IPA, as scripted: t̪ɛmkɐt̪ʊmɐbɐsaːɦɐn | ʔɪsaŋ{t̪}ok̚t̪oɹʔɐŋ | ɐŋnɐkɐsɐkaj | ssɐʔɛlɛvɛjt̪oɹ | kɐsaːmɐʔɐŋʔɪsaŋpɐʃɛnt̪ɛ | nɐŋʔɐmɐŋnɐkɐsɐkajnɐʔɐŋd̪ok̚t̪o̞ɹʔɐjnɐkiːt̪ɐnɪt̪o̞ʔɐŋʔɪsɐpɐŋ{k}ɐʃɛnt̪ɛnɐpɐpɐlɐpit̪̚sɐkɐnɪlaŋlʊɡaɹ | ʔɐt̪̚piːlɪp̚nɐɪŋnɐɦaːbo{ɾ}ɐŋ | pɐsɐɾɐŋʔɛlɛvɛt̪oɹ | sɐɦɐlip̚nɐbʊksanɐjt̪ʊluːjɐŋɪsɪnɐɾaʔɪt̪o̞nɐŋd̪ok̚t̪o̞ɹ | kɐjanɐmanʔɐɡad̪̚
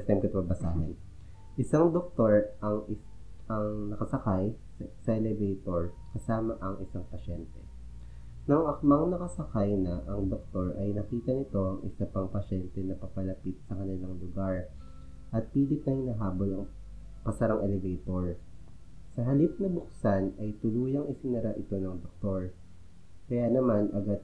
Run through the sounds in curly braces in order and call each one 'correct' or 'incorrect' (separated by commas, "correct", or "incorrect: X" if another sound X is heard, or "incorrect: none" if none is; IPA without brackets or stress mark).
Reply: incorrect: d̪, incorrect: p, incorrect: l